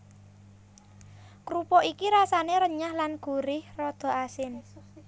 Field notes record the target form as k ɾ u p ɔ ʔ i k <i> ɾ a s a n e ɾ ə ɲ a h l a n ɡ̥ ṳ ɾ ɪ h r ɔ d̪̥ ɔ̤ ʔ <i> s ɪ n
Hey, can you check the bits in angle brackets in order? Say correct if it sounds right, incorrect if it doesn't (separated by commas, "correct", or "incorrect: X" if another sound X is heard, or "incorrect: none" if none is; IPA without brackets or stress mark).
correct, incorrect: a